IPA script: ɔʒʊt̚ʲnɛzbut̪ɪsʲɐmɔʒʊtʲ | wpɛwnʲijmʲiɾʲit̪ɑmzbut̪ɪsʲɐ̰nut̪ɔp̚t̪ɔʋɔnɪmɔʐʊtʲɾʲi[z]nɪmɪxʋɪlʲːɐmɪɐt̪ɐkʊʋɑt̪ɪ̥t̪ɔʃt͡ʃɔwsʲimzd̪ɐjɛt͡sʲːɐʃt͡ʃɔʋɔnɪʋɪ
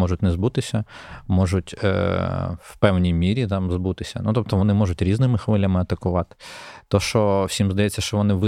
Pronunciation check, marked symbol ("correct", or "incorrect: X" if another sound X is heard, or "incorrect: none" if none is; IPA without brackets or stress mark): correct